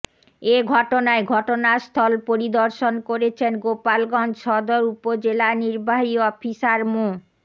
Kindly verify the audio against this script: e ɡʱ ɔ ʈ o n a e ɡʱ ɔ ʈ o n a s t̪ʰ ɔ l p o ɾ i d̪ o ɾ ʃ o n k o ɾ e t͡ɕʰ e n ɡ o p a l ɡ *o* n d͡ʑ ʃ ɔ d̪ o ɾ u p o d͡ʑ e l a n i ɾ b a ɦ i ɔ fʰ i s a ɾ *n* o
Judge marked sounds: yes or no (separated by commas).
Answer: no, no